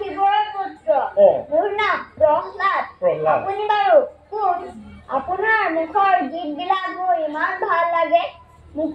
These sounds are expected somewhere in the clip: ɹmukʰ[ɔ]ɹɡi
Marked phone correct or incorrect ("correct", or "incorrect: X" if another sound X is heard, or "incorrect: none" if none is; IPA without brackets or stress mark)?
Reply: correct